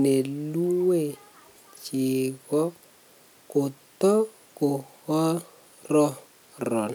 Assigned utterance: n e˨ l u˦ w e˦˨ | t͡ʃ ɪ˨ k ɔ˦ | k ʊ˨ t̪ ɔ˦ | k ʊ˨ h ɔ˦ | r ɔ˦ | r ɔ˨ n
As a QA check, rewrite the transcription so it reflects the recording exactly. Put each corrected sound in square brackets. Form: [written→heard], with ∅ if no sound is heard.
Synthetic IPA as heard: n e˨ l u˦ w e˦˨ | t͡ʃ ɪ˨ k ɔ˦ | k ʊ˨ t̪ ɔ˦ | k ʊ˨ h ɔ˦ | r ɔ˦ | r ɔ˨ n